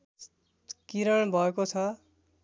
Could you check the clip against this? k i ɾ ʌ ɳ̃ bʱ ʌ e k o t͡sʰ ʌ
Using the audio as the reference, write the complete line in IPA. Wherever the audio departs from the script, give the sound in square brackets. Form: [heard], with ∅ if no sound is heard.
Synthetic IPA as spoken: k i ɾ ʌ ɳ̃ bʱ ʌ e k o t͡sʰ ʌ